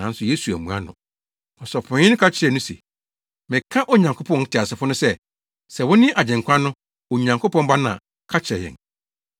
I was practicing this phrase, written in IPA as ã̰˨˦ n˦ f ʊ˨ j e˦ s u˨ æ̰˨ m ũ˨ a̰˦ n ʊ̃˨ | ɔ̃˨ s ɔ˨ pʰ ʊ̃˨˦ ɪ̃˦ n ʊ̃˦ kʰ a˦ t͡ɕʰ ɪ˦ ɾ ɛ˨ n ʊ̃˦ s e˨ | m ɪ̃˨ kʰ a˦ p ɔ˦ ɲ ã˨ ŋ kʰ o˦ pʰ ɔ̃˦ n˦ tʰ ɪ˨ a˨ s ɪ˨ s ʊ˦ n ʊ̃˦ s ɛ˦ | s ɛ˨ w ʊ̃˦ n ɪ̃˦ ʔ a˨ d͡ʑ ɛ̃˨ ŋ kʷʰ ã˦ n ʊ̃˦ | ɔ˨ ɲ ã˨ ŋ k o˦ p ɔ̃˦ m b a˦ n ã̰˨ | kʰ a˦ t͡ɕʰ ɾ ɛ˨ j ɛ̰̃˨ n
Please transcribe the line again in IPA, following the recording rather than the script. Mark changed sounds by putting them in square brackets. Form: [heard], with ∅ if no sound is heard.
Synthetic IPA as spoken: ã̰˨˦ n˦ [s] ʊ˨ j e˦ s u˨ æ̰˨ m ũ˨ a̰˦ n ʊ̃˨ | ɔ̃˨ s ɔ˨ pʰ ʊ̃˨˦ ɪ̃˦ n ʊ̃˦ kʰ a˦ t͡ɕʰ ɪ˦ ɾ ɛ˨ n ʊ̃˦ s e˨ | m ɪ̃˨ kʰ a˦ [ʔ] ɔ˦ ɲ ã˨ ŋ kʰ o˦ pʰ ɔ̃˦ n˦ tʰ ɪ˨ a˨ s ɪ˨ [f] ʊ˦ n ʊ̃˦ s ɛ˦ | s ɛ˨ w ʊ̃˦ n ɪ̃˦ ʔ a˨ d͡ʑ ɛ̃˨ ŋ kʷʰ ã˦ n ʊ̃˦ | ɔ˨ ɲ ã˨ ŋ k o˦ p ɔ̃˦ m b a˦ n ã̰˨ | kʰ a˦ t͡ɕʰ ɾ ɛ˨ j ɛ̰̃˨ n